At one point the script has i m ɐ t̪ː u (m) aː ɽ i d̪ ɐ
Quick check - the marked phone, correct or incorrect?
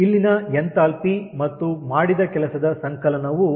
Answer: correct